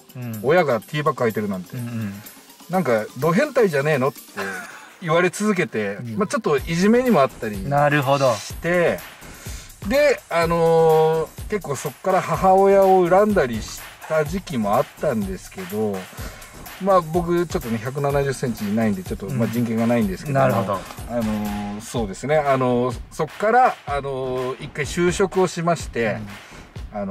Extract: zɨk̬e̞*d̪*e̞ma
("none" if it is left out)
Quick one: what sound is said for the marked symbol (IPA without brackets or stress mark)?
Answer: t̪